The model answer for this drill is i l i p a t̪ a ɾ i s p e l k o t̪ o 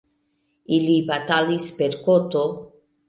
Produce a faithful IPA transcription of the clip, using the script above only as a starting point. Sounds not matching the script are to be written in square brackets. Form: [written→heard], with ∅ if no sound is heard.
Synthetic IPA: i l i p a t̪ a [ɾ→l] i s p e [l→ɾ] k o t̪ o